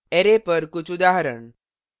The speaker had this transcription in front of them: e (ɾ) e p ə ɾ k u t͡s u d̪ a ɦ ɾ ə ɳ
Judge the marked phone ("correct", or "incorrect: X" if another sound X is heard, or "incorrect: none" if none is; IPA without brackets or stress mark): correct